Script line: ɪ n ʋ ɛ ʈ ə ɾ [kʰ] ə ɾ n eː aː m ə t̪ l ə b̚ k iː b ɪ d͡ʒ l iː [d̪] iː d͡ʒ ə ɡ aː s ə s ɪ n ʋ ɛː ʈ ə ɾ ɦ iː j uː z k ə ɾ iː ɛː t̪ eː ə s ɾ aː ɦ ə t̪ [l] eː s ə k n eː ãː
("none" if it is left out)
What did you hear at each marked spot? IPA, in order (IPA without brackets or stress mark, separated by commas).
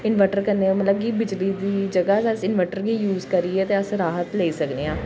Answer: k, d̪, l